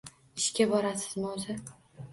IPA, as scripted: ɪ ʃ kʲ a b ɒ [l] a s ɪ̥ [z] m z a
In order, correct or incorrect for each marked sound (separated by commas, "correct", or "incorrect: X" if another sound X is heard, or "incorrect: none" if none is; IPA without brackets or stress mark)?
incorrect: ɾ, correct